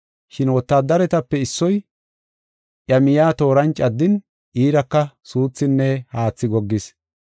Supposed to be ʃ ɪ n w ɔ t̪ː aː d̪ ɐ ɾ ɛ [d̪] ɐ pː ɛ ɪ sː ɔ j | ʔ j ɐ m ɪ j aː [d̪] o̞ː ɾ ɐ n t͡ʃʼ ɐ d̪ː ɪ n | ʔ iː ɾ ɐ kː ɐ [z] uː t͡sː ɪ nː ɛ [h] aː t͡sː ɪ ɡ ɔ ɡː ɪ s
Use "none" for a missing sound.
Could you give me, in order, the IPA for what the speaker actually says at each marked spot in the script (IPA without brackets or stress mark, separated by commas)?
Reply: t̪, t̪, s, h